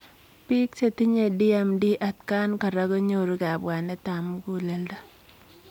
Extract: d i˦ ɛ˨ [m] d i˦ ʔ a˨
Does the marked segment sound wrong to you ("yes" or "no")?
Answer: no